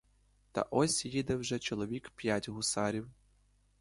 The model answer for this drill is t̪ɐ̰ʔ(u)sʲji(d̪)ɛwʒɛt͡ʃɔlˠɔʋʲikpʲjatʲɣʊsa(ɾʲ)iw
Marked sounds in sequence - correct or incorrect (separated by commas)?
incorrect, correct, correct